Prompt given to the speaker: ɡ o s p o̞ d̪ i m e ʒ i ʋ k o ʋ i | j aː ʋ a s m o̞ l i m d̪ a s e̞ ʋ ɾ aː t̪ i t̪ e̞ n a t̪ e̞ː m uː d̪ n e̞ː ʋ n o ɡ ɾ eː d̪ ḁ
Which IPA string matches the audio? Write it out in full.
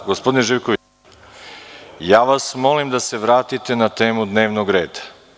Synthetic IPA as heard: ɡ o s p o̞ d̪ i n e ʒ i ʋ k o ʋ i | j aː ʋ a s m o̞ l i m d̪ a s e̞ ʋ ɾ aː t̪ i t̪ e̞ n a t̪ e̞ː m u d̪ n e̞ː ʋ n o ɡ ɾ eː d̪ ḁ